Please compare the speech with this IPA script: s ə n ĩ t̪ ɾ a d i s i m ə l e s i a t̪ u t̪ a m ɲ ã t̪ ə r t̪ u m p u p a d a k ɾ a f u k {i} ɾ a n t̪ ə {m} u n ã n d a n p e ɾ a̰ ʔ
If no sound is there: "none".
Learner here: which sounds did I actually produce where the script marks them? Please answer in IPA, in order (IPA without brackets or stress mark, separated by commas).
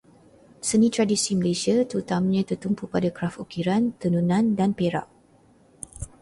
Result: i, n